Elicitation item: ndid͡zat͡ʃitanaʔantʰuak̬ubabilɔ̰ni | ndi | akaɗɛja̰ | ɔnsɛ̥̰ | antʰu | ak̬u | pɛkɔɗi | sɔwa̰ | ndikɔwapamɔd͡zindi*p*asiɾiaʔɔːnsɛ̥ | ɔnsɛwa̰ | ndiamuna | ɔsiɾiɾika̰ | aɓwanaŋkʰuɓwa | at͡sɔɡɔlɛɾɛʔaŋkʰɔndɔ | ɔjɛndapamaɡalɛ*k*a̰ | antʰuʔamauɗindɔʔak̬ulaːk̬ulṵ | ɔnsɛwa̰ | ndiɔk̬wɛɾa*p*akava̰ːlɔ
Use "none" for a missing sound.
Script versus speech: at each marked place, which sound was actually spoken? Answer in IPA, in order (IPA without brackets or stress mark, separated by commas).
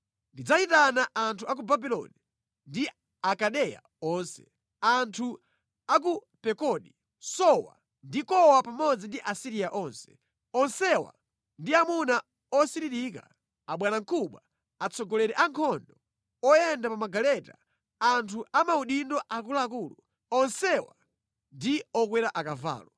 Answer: ʔ, t, ʔ